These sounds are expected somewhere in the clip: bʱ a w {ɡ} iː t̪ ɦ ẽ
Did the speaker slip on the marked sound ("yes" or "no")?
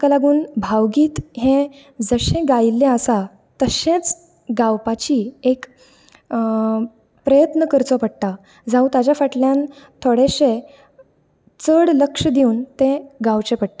no